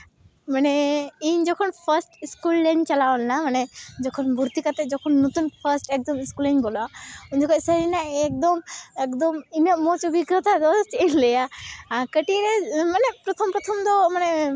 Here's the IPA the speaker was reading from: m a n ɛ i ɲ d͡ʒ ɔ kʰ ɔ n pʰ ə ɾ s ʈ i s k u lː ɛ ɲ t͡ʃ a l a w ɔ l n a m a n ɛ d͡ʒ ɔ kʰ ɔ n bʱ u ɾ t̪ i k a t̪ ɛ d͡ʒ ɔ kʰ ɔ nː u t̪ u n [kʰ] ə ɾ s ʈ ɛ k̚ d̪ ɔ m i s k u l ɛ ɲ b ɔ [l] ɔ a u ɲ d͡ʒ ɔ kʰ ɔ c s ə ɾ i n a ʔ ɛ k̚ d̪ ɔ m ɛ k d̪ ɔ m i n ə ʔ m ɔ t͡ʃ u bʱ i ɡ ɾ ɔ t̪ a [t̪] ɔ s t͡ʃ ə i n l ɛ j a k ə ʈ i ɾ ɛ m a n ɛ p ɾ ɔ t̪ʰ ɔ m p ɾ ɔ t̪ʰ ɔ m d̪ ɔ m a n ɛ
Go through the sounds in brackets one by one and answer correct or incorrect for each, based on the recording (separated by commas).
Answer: incorrect, correct, incorrect